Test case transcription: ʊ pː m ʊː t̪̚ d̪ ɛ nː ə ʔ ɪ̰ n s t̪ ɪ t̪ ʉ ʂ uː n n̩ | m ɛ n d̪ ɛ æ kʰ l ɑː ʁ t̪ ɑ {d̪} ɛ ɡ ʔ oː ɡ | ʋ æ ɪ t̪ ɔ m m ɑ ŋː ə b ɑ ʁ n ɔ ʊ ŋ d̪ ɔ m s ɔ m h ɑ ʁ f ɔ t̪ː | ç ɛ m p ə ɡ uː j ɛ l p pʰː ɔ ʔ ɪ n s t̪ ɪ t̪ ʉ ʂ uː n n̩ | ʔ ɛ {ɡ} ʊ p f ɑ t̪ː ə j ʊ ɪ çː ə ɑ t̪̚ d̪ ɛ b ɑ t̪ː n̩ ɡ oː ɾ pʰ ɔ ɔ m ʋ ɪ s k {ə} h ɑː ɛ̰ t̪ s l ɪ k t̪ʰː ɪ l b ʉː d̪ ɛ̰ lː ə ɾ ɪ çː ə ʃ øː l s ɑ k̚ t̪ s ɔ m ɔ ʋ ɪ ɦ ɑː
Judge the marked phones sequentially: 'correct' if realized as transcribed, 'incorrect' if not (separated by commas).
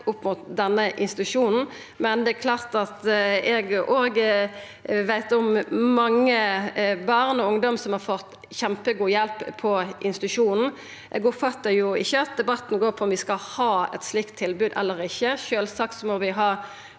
incorrect, correct, incorrect